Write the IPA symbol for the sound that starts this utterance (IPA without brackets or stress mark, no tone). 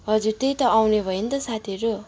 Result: ɦ